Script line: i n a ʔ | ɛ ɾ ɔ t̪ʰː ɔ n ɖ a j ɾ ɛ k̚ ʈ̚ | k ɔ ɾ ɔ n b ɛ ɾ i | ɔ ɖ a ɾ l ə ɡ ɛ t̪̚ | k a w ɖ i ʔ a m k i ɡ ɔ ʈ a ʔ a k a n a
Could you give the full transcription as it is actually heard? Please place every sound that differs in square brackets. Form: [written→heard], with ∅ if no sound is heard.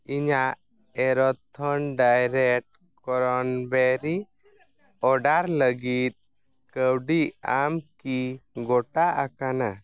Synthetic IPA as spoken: i [n→ɲ] a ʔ | ɛ ɾ ɔ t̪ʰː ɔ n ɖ a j ɾ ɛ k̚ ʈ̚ | k ɔ ɾ ɔ n b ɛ ɾ i | ɔ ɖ a ɾ l ə ɡ [ɛ→i] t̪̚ | k [a→ə] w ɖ i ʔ a m k i ɡ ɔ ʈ a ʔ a k a n a